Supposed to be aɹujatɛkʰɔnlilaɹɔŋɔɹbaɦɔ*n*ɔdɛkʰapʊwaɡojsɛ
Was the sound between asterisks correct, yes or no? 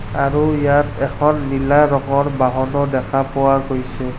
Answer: yes